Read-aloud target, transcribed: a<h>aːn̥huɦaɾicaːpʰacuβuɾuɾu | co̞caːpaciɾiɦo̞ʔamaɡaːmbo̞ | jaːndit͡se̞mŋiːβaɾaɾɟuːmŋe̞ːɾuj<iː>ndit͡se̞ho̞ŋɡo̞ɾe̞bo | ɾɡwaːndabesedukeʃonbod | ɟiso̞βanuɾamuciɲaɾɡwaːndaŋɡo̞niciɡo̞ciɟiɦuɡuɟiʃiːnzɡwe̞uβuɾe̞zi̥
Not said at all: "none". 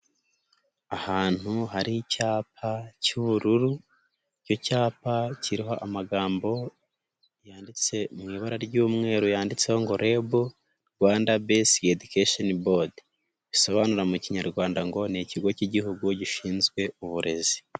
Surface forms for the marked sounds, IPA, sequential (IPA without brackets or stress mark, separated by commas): h, aː